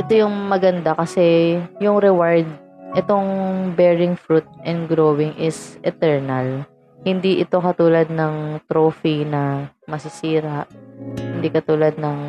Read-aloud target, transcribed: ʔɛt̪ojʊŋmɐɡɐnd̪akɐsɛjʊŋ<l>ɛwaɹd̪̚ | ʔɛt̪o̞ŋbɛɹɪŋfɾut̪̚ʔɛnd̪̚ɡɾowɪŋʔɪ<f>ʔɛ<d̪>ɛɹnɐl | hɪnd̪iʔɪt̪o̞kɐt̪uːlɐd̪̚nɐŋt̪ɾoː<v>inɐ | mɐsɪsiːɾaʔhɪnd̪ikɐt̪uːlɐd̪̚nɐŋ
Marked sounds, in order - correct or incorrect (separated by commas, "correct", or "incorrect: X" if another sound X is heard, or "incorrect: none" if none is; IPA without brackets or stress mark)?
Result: incorrect: ɾ, incorrect: s, incorrect: t̪, incorrect: f